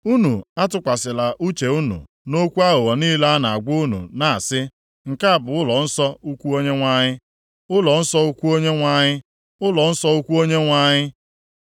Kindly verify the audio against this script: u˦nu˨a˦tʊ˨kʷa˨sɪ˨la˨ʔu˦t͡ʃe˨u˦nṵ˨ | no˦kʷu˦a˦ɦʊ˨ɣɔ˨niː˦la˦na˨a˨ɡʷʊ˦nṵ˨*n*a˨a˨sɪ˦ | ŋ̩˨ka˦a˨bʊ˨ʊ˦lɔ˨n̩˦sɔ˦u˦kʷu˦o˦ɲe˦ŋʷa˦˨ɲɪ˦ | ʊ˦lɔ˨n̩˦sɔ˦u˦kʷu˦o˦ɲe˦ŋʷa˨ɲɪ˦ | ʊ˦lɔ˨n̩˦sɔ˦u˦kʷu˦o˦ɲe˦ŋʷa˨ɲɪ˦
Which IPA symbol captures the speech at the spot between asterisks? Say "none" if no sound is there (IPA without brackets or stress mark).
n